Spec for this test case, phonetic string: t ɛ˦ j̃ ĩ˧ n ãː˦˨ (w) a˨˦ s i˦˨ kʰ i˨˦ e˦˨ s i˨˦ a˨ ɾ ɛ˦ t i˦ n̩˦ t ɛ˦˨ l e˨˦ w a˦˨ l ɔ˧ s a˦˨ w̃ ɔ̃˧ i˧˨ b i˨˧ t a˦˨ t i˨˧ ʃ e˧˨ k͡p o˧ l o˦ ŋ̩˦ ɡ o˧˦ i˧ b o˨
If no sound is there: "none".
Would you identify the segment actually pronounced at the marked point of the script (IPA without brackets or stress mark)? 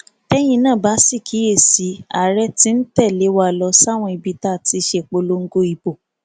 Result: b